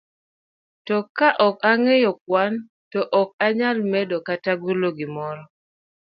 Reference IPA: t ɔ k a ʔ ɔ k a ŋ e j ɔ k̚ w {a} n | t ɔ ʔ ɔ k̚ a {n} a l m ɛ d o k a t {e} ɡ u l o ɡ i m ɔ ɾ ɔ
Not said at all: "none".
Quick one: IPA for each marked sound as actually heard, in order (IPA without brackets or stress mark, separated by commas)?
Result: a, ɲ, a